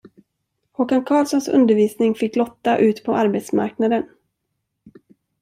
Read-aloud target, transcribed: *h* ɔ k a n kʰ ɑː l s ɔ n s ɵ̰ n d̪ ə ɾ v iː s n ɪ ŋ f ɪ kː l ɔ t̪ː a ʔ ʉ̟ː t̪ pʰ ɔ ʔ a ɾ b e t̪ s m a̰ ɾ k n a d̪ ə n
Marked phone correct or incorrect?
correct